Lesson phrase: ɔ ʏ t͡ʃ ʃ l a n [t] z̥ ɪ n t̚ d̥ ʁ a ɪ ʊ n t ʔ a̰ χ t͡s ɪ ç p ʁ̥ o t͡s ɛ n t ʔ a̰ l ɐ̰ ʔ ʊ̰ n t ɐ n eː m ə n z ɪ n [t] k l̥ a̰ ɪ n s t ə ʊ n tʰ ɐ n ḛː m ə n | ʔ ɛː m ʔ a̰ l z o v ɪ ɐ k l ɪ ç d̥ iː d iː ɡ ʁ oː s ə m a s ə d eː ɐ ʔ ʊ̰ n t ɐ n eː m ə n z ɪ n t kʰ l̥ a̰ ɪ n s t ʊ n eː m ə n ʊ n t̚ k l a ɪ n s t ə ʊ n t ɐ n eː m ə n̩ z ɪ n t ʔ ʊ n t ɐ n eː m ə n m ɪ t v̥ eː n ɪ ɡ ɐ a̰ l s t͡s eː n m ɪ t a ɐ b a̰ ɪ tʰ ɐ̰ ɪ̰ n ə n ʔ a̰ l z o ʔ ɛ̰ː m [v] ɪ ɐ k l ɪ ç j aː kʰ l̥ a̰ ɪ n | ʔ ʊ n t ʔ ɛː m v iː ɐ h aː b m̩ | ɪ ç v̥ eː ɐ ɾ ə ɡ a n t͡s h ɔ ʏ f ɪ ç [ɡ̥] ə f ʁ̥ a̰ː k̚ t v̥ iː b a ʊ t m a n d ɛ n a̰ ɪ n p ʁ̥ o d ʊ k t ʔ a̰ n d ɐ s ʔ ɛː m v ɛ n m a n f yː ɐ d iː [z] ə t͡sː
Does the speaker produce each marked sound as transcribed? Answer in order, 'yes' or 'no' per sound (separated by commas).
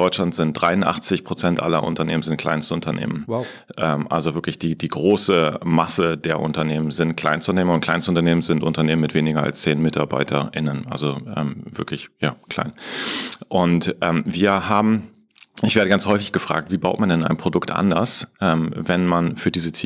yes, yes, yes, yes, yes